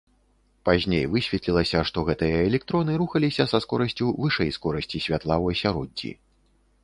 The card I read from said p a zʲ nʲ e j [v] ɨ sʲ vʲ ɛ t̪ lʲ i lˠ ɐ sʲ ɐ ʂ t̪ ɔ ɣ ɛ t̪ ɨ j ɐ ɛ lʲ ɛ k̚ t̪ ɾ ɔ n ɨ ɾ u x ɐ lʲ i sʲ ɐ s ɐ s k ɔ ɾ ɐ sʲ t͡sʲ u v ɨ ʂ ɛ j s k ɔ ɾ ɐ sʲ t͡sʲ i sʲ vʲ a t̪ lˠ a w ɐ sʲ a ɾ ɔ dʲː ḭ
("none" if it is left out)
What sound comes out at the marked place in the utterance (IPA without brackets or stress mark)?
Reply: v